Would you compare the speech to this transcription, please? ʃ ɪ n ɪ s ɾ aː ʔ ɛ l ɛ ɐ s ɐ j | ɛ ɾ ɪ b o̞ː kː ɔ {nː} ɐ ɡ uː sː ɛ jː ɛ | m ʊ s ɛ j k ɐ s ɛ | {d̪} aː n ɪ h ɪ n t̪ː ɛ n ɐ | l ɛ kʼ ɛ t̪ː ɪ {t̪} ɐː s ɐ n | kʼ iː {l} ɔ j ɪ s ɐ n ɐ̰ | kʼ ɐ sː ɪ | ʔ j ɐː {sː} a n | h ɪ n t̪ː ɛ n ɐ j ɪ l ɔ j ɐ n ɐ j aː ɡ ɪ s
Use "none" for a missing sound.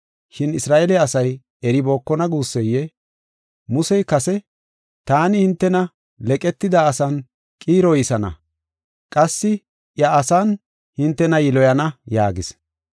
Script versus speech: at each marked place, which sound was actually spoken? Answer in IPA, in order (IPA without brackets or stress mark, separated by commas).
n, t̪, d̪, ɾ, s